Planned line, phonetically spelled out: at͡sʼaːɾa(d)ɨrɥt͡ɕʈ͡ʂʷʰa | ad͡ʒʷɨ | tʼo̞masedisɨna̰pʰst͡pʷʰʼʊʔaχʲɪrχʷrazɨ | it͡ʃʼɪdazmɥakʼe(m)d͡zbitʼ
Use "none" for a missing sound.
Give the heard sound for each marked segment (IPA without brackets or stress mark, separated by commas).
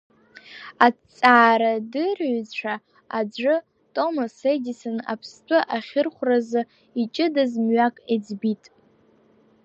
d, none